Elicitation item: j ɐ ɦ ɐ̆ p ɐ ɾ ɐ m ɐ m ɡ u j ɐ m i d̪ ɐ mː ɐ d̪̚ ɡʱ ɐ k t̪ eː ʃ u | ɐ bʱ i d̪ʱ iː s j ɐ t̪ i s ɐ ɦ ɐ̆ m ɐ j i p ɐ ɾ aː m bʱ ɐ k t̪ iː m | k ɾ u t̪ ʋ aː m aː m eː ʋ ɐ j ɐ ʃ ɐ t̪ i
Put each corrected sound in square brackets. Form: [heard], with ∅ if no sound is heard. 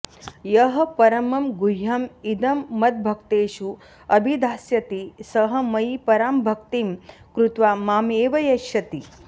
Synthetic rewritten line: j ɐ ɦ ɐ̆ p ɐ ɾ ɐ m ɐ m ɡ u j ɐ m i d̪ ɐ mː ɐ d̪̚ [bʱ] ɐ k t̪ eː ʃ u | ɐ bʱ i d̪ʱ [aː] s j ɐ t̪ i s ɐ ɦ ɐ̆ m ɐ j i p ɐ ɾ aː m bʱ ɐ k t̪ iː m | k ɾ u t̪ ʋ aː m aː m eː ʋ ɐ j ɐ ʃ ɐ t̪ i